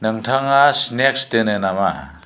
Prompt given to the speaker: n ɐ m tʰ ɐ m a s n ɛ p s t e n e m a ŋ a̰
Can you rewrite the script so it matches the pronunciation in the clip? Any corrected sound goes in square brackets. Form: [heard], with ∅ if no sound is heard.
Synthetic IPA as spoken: n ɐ [ŋ] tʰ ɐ [ŋ] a s n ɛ [k] s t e n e [n] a [m] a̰